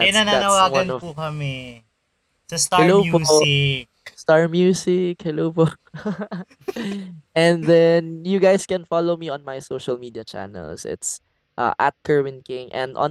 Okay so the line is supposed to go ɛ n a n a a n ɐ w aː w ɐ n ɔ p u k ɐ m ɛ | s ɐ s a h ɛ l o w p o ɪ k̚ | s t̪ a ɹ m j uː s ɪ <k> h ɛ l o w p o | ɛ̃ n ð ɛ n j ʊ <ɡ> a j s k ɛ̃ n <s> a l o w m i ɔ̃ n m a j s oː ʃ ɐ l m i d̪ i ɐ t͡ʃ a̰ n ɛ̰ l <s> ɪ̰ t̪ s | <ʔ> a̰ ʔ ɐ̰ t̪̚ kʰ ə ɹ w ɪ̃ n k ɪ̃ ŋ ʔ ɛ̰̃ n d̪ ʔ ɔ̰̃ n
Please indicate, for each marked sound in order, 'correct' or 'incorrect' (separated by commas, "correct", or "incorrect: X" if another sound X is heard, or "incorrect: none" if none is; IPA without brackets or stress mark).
correct, correct, incorrect: f, correct, correct